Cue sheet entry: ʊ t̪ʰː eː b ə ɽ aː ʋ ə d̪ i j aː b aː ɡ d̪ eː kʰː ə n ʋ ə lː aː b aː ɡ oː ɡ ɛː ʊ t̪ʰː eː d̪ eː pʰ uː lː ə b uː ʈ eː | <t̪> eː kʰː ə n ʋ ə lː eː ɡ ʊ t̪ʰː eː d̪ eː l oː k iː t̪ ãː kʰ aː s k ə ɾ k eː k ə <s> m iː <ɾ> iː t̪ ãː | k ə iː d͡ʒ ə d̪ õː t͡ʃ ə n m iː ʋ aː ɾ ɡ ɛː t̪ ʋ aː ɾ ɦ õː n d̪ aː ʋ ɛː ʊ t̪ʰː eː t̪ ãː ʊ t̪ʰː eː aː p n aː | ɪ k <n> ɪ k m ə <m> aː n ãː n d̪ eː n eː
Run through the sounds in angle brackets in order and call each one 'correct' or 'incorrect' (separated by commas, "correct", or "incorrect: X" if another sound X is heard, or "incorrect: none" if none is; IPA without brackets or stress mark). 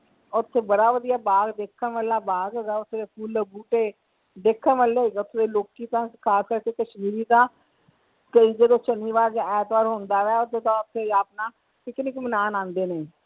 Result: incorrect: d̪, incorrect: ʃ, correct, correct, incorrect: n